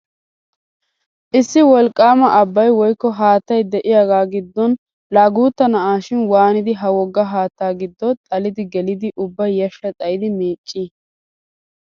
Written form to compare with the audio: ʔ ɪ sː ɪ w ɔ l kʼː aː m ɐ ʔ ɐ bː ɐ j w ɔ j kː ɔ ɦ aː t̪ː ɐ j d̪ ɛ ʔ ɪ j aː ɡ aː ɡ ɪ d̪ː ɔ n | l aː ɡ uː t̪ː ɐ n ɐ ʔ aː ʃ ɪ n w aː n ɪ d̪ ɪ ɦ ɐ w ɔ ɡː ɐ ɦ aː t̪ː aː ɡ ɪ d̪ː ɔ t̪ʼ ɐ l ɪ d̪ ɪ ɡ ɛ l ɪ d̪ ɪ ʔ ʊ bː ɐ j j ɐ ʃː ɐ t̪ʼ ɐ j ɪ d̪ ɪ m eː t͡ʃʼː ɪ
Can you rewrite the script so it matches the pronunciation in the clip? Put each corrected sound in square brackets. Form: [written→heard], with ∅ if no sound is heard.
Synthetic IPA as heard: ʔ ɪ sː ɪ w ɔ l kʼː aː m ɐ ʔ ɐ bː ɐ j w ɔ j kː ɔ ɦ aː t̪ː ɐ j d̪ ɛ ʔ ɪ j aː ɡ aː ɡ ɪ d̪ː ɔ n | l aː ɡ uː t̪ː ɐ n ɐ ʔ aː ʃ ɪ n w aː n ɪ d̪ ɪ ɦ ɐ w ɔ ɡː ɐ ɦ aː t̪ː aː ɡ ɪ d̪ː ɔ t̪ʼ ɐ l ɪ d̪ ɪ ɡ ɛ l ɪ d̪ ɪ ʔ ʊ bː ɐ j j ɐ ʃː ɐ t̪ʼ ɐ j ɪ d̪ ɪ m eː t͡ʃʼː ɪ